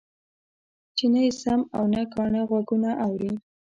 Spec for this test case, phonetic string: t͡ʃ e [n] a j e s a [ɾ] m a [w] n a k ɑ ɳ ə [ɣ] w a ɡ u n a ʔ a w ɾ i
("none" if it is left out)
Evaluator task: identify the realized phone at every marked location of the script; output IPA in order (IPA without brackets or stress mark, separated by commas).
n, none, w, ɣ